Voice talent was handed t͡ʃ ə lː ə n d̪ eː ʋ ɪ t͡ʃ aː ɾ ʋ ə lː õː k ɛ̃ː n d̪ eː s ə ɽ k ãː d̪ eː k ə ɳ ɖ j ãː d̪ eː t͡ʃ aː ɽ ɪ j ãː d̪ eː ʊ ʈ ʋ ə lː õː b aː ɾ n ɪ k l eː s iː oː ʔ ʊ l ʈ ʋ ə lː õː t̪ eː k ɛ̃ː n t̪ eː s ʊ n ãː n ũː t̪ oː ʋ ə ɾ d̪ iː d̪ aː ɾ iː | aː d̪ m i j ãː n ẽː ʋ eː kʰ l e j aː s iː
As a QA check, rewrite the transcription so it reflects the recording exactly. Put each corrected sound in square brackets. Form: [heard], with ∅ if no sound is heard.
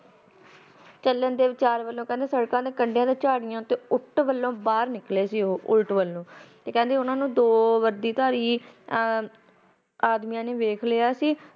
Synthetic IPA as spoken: t͡ʃ ə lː ə n d̪ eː ʋ ɪ t͡ʃ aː ɾ ʋ ə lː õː k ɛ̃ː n d̪ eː s ə ɽ k ãː d̪ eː k ə ɳ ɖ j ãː d̪ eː t͡ʃ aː ɽ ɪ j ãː [t̪] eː ʊ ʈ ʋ ə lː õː b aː ɾ n ɪ k l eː s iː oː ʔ ʊ l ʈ ʋ ə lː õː t̪ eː k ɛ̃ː n [d̪] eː [∅] ʊ n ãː n ũː [d̪] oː ʋ ə ɾ d̪ iː [t̪] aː ɾ iː | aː d̪ m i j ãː n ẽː ʋ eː kʰ l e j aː s iː